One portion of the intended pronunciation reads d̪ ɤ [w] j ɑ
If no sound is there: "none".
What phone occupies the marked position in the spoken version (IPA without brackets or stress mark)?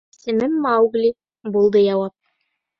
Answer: none